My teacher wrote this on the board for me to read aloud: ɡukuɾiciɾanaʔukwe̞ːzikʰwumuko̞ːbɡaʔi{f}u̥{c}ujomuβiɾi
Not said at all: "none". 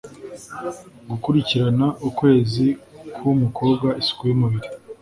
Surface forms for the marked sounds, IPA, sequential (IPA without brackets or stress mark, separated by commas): s, k